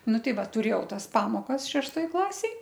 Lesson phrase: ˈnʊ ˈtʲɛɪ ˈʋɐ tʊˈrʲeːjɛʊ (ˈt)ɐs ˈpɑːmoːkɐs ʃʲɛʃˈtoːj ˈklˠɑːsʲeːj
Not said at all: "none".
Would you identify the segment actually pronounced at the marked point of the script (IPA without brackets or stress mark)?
t